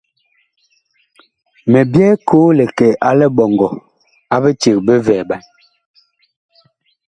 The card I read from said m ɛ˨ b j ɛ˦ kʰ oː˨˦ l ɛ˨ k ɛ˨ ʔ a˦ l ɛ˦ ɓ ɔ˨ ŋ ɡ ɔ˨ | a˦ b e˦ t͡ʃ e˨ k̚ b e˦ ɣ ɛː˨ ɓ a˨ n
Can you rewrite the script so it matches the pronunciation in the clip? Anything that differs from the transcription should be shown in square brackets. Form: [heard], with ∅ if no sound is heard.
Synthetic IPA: m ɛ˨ b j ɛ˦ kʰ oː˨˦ l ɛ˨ k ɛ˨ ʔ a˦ l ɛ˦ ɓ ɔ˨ ŋ ɡ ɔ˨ | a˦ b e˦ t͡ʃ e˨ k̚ b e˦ [v] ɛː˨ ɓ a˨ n